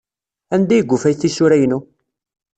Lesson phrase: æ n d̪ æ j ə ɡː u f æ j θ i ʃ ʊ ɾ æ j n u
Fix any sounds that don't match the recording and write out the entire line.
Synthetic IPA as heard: æ n d̪ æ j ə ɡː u f æ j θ i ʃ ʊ ɾ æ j n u